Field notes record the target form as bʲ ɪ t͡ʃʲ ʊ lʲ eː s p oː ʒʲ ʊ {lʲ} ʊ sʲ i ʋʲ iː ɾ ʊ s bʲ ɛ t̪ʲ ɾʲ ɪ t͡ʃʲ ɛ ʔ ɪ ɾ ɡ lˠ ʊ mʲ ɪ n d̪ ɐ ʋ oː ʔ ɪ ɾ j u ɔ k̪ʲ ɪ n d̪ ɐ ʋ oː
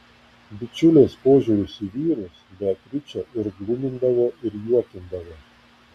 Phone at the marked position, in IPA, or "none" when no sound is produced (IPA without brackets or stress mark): ɾʲ